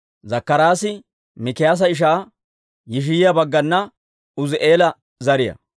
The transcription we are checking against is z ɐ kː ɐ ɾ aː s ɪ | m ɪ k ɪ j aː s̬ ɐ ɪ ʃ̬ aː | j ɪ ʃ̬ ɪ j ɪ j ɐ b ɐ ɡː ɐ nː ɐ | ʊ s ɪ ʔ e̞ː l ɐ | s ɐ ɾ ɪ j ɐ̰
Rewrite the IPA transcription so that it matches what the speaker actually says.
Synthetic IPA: z ɐ kː ɐ ɾ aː s ɪ | m ɪ k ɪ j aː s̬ ɐ ɪ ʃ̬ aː | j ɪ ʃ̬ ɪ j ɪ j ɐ b ɐ ɡː ɐ nː ɐ | ʊ z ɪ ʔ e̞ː l ɐ | z ɐ ɾ ɪ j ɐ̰